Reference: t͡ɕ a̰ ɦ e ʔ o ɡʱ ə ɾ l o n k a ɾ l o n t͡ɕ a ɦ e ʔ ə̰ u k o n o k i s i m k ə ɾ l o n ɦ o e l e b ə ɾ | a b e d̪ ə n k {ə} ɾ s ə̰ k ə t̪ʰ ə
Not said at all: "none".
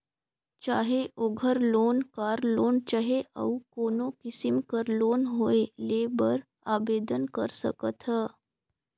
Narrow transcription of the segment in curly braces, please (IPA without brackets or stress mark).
ə